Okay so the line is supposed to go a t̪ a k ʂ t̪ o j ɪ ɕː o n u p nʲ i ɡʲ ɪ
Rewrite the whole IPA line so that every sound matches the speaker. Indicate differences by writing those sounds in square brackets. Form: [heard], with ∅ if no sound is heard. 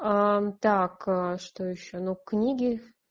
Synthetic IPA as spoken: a t̪ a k ʂ t̪ o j ɪ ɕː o n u [k] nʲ i ɡʲ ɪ